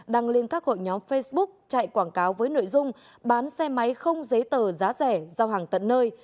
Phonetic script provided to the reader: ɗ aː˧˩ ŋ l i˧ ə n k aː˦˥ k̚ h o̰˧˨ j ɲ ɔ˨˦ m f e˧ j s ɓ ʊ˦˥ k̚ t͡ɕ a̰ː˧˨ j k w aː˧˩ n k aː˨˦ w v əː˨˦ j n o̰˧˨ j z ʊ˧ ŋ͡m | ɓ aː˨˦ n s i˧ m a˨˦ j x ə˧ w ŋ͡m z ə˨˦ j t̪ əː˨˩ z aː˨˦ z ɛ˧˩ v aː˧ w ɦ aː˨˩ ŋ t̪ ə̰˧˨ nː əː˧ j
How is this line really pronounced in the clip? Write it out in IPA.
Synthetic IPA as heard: ɗ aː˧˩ ŋ l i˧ ə n k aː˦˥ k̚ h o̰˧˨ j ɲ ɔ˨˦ m f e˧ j s ɓ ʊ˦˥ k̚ t͡ɕ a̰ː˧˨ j k w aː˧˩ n k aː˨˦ w v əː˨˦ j n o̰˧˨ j z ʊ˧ ŋ͡m | ɓ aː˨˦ n s ɛ˧ m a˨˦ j x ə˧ w ŋ͡m z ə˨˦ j t̪ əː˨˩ z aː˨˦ z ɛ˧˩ z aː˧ w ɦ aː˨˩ ŋ t̪ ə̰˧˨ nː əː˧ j